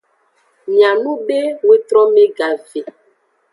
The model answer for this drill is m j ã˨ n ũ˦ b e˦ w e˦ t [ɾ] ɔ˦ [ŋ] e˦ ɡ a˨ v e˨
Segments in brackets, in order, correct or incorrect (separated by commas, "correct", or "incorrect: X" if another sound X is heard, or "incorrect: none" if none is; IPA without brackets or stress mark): correct, incorrect: m